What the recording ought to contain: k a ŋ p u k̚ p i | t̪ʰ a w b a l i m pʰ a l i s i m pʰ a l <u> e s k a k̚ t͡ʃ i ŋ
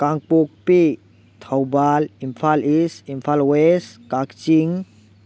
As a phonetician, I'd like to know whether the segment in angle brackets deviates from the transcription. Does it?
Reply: yes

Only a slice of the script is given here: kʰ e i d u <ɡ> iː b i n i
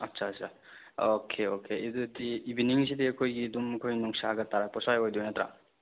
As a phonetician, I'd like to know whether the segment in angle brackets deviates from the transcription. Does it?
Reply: yes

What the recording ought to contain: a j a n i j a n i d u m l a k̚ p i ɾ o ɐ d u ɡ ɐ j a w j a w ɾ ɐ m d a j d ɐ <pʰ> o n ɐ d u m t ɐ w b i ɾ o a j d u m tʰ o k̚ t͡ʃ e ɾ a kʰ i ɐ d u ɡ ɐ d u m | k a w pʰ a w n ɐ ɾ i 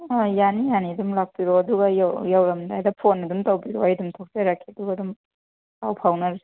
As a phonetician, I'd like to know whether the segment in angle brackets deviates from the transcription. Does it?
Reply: no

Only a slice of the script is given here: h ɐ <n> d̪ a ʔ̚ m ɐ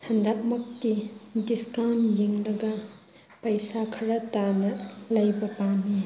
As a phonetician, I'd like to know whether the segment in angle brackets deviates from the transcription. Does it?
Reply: no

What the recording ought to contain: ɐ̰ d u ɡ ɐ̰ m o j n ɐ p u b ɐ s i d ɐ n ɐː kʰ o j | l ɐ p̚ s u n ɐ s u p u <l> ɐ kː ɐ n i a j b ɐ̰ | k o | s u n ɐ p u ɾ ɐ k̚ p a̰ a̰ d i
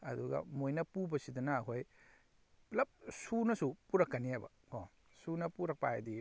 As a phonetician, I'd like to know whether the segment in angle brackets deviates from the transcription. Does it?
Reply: yes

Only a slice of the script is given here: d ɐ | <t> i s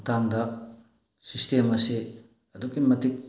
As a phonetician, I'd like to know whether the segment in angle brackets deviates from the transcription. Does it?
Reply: yes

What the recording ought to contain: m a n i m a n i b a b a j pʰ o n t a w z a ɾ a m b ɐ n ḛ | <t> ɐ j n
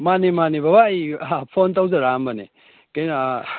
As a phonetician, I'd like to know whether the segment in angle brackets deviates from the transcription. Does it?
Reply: yes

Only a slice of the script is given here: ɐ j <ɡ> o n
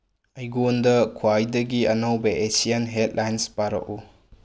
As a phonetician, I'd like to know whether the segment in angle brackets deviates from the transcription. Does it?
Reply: no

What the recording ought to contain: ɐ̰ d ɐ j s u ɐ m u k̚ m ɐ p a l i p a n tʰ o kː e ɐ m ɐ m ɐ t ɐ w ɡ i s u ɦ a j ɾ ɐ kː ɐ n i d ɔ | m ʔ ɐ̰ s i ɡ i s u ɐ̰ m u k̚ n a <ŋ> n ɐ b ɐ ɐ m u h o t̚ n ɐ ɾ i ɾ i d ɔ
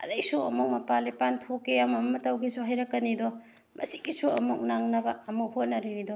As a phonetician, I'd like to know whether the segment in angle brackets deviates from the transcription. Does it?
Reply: no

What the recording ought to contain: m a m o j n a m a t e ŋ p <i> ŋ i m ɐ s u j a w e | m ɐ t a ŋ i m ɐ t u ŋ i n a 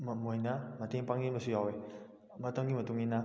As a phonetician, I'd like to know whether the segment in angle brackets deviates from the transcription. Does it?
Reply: yes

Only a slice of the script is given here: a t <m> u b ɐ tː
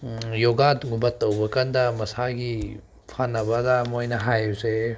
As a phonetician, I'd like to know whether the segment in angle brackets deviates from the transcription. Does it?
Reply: yes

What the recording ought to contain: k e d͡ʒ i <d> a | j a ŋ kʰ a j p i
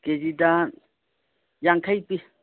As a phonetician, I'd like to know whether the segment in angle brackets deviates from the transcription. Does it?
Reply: no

